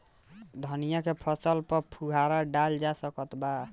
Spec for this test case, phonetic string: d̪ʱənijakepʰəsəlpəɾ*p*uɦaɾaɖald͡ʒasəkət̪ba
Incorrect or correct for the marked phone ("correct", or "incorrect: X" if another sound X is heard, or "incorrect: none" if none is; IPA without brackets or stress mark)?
incorrect: pʰ